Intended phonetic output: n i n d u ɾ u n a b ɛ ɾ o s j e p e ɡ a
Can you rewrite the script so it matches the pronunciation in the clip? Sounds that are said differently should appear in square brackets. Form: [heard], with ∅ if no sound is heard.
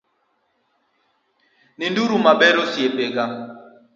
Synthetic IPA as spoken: n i n d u ɾ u [m] a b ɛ ɾ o s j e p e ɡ a